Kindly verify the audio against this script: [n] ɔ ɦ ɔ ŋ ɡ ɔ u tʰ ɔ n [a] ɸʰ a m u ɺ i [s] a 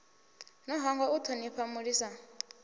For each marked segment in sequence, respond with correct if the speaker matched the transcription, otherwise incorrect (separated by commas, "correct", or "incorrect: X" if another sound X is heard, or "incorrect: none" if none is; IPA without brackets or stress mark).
correct, incorrect: i, correct